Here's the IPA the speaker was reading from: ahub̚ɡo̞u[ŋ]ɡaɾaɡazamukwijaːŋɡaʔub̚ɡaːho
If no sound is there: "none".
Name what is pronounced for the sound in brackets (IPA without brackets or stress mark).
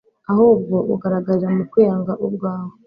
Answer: none